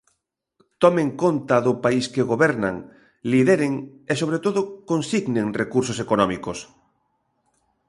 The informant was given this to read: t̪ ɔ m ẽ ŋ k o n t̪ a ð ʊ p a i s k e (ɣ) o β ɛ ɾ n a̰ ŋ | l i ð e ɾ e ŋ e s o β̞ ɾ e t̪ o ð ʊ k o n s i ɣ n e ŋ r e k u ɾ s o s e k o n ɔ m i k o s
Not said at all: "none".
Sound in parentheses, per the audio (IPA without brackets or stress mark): ɣ